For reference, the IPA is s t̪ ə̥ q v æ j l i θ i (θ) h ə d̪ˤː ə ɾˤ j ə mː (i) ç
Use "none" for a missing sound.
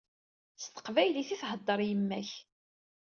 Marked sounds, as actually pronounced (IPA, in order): θ, æ

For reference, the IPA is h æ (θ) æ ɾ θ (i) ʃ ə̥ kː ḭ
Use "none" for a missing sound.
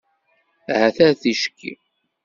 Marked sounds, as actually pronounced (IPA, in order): θ, i

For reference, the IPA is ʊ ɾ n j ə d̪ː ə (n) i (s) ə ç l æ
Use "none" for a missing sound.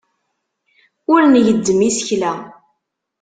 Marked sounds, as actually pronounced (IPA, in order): m, s

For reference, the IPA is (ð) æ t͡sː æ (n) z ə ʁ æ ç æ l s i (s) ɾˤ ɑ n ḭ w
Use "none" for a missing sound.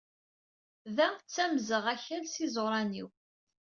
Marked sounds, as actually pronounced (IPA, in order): ð, m, z

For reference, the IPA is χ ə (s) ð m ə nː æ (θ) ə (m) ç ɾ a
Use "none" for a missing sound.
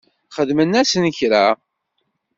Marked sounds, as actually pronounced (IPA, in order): none, s, n

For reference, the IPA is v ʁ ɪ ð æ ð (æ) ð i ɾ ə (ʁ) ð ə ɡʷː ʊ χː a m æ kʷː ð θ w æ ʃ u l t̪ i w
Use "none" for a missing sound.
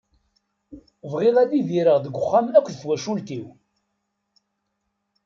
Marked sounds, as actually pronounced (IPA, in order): i, ʁ

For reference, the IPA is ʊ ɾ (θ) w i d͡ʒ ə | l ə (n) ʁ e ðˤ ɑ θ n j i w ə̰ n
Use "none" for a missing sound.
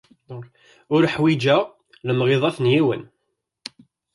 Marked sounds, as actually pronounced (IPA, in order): ħ, m

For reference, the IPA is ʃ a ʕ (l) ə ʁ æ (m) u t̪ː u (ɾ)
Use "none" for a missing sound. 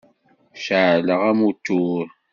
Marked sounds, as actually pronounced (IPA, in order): l, m, ɾ

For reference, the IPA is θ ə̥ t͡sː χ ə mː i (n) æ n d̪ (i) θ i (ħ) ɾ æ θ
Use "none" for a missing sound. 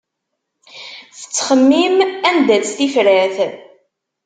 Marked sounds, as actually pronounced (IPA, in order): m, æ, f

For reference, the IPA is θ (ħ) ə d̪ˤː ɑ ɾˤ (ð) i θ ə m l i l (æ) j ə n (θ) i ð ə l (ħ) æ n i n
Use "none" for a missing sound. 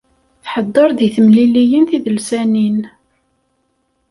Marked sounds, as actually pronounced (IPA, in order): ħ, ð, i, θ, s

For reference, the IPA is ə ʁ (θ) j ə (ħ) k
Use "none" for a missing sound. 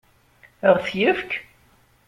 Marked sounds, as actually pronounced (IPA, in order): θ, f

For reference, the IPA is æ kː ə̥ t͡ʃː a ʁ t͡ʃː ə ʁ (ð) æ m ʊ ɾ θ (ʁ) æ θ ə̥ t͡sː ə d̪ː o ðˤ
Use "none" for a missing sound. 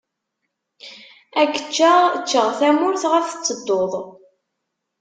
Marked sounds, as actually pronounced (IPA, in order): θ, ʁ

